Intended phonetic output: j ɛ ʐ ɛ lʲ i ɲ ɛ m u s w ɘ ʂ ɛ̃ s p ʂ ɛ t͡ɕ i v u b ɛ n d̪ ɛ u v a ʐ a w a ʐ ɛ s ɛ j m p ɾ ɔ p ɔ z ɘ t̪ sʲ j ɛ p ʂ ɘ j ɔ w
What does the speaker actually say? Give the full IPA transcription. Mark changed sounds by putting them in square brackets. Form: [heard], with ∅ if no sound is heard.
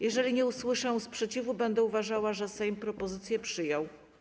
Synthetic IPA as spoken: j ɛ ʐ ɛ lʲ i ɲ ɛ [∅] u s w ɘ ʂ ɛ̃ s p ʂ ɛ t͡ɕ i v u b ɛ n d̪ ɛ u v a ʐ a w a ʐ ɛ s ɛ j m p ɾ ɔ p ɔ z ɘ t̪ sʲ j ɛ p ʂ ɘ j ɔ w